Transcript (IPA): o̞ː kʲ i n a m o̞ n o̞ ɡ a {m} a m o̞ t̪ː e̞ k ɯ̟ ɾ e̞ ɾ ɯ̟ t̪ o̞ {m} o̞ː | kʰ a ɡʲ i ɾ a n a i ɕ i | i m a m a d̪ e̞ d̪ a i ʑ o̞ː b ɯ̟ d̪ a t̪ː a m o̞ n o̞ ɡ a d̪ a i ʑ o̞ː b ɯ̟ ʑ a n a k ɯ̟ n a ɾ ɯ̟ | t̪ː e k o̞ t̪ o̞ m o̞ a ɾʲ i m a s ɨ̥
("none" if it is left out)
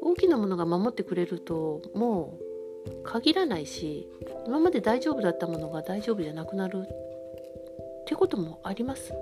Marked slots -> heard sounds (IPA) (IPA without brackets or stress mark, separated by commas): m, m